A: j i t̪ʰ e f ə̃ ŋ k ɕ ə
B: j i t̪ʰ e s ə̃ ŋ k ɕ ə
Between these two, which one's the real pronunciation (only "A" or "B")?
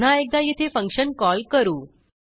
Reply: A